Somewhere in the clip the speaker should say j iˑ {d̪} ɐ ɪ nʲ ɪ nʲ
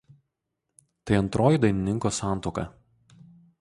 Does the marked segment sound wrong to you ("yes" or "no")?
no